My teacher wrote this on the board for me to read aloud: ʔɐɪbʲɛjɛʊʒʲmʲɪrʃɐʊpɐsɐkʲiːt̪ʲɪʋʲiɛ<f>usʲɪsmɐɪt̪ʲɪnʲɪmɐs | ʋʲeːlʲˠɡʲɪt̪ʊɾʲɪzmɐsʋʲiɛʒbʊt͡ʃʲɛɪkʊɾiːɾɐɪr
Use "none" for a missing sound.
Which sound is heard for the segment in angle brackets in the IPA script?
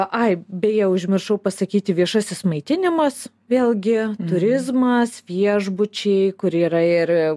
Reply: ʃ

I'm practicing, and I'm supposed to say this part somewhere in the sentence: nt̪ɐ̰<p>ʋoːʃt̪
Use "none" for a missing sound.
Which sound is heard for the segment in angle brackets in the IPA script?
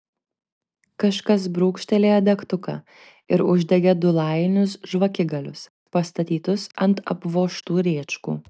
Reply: p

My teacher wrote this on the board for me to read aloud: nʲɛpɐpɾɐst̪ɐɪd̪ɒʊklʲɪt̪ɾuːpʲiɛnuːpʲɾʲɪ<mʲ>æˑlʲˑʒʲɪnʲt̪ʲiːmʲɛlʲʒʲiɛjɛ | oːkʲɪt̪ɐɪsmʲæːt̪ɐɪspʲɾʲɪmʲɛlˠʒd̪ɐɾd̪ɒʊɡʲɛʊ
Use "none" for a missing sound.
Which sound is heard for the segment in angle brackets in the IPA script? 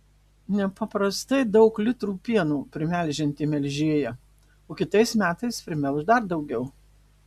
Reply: mʲ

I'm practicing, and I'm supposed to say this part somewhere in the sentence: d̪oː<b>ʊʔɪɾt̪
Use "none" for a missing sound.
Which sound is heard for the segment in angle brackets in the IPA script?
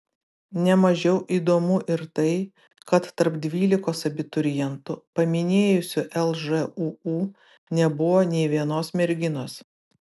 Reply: m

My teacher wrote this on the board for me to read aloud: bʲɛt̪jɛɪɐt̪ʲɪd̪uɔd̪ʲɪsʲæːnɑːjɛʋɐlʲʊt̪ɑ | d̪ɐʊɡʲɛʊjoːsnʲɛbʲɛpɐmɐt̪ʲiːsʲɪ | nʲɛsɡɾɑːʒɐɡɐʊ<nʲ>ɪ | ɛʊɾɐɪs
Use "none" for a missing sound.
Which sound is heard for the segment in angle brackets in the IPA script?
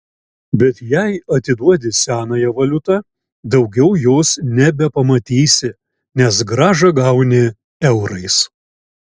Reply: nʲ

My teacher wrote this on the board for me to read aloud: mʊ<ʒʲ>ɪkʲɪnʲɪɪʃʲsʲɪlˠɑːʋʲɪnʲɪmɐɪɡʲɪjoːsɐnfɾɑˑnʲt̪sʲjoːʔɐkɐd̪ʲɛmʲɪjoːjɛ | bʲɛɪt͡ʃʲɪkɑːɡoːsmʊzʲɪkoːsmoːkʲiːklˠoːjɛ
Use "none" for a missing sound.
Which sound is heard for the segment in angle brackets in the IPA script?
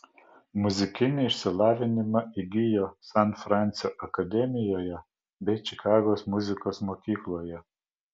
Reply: zʲ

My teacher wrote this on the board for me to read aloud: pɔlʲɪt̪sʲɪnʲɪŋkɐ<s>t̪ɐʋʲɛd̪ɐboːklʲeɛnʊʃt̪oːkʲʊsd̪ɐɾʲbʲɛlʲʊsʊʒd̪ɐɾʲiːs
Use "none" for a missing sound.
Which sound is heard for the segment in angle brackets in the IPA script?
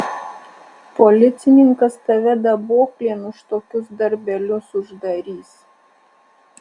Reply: s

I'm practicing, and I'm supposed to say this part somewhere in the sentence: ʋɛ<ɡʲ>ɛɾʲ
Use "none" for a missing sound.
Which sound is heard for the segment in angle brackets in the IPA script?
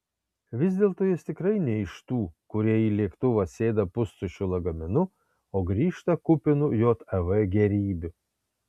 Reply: ɡʲ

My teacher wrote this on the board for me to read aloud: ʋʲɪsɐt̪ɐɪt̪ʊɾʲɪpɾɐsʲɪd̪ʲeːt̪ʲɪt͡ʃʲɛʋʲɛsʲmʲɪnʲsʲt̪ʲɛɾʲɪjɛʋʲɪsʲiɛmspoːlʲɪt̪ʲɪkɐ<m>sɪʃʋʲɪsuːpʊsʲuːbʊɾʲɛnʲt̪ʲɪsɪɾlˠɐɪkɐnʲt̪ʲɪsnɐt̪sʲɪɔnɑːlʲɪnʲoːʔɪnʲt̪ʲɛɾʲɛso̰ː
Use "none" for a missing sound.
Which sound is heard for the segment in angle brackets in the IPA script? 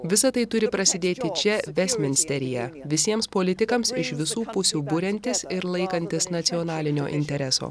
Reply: m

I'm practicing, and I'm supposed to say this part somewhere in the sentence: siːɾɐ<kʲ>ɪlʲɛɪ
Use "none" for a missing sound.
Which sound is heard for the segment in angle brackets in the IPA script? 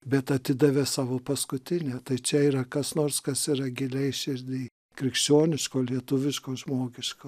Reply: ɡʲ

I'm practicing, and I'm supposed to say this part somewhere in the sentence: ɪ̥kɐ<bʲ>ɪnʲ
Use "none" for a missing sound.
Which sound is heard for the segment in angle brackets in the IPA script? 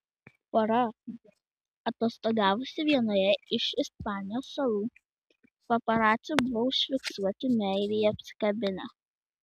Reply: bʲ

